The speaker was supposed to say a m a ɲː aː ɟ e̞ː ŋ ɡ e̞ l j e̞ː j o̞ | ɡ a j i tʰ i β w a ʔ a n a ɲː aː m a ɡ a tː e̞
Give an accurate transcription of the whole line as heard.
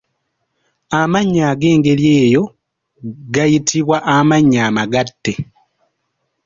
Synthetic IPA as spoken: a m a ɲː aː ɡ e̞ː ŋ ɡ e̞ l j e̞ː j o̞ | ɡ a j i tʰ i β w a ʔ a m a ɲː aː m a ɡ a tː e̞